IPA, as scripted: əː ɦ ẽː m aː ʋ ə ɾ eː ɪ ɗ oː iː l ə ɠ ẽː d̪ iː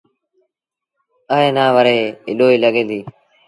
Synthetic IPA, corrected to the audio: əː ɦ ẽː n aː ʋ ə ɾ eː ɪ ɗ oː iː l ə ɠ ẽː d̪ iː